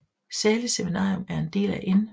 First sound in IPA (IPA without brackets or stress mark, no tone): s